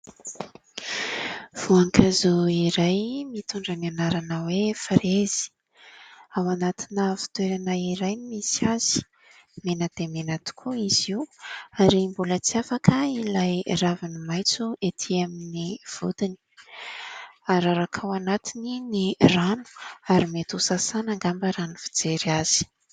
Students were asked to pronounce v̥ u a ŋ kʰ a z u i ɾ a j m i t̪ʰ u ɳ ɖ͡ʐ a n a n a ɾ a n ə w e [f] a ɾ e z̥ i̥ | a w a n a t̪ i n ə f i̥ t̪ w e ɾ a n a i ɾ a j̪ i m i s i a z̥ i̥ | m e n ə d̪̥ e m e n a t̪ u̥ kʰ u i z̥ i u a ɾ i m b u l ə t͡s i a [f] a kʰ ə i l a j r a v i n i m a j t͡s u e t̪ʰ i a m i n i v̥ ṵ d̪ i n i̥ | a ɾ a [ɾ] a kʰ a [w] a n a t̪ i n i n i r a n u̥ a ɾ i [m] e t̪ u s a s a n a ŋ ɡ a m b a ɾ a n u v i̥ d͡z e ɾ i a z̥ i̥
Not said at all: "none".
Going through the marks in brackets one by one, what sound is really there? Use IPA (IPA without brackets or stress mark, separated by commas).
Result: f, f, ɾ, w, m